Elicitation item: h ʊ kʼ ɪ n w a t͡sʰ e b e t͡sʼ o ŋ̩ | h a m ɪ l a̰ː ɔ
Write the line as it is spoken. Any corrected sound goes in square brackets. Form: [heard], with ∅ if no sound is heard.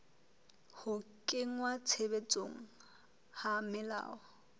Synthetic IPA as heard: h ʊ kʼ ɪ [ŋ] w a t͡sʰ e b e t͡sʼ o ŋ̩ | h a m ɪ l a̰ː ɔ